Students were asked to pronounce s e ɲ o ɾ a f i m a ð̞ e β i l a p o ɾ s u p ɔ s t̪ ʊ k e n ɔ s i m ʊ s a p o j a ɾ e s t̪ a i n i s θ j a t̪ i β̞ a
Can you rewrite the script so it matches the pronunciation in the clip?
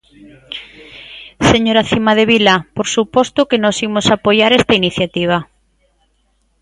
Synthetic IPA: s e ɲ o ɾ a θ i m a ð̞ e β i l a p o ɾ s u p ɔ s t̪ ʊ k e n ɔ s i m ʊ s a p o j a ɾ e s t̪ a i n i θ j a t̪ i β̞ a

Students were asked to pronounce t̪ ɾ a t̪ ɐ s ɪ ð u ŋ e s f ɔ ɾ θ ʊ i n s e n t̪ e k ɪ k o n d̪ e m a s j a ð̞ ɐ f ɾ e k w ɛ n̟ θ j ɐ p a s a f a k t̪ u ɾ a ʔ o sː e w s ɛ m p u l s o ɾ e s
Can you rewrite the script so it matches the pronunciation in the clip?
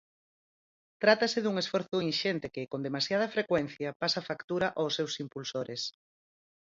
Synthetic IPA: t̪ ɾ a t̪ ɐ s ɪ ð u ŋ e s f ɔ ɾ θ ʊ i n ʃ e n t̪ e k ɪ k o n d̪ e m a s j a ð̞ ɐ f ɾ e k w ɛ n̟ θ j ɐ p a s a f a k t̪ u ɾ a ʔ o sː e w s i m p u l s o ɾ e s

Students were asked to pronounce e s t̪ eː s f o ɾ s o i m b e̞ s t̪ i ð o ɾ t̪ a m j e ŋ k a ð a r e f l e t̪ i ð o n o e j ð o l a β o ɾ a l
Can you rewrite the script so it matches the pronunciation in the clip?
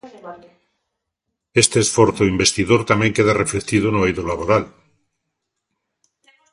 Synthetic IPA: e s t̪ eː s f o ɾ θ o i m b e̞ s t̪ i ð o ɾ t̪ a m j e ŋ k e ð a r e f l e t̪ i ð o n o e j ð o l a β o ɾ a l

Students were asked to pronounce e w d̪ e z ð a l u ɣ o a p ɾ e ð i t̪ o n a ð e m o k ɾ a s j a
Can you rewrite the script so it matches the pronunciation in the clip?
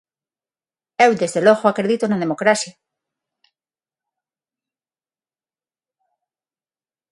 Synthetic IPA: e w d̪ e z ð e l o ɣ o a k ɾ e ð i t̪ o n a ð e m o k ɾ a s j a

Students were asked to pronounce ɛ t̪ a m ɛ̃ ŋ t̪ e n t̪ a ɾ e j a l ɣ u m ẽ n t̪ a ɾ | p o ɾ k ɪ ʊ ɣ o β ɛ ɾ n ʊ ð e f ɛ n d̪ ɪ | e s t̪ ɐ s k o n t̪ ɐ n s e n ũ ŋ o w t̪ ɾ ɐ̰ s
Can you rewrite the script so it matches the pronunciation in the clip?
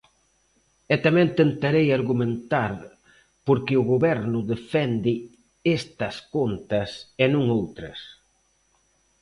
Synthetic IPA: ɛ t̪ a m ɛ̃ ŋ t̪ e n t̪ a ɾ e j a ɾ ɣ u m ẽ n t̪ a ɾ | p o ɾ k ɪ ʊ ɣ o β ɛ ɾ n ʊ ð e f ɛ n d̪ ɪ | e s t̪ ɐ s k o n t̪ ɐ s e n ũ ŋ o w t̪ ɾ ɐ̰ s

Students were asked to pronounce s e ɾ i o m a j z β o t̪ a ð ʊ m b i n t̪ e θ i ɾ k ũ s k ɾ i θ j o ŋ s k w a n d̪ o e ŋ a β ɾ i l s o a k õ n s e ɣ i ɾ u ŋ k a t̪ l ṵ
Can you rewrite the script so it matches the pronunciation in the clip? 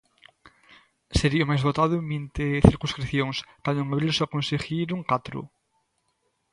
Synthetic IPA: s e ɾ i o m a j z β o t̪ a ð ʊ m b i n t̪ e θ i ɾ k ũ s k ɾ i θ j o ŋ s k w a n d̪ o e ŋ a β ɾ i l s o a k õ n s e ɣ i ɾ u ŋ k a t̪ ɾ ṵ

